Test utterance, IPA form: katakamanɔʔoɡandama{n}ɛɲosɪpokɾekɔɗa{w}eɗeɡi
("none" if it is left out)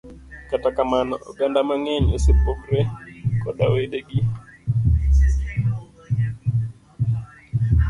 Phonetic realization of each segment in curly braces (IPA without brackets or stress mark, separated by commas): ŋ, w